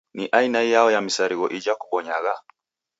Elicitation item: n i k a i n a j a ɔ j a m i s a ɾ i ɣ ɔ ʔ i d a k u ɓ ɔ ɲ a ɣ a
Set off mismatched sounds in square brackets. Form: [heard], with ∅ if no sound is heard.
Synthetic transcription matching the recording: n i [ʔ] a i n a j a ɔ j a m i s a ɾ i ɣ ɔ ʔ i [d͡ʒ] a k u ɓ ɔ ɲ a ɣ a

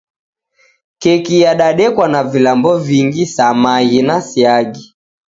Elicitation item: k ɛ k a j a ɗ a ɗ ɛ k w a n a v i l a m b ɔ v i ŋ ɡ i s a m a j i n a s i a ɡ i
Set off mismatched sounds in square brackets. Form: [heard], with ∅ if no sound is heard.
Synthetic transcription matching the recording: k ɛ k [i] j a ɗ a ɗ ɛ k w a n a v i l a m b ɔ v i ŋ ɡ i s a m a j i n a s i a ɡ i

